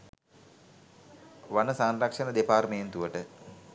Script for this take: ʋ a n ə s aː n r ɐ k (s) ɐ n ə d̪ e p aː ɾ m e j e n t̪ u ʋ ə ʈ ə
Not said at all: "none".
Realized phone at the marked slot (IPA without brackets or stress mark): ʂ